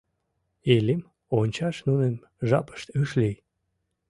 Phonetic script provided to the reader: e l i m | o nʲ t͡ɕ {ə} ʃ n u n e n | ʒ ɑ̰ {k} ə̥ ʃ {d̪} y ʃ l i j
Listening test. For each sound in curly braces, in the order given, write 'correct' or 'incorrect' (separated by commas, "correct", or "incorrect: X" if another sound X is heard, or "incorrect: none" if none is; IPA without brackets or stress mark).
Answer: incorrect: ɑ, incorrect: p, incorrect: t̪